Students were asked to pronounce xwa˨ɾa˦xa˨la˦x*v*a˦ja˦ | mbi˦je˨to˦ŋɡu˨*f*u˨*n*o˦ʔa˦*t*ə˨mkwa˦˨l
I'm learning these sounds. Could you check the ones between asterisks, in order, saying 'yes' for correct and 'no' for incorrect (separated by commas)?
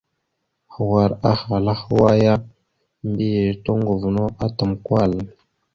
no, no, yes, yes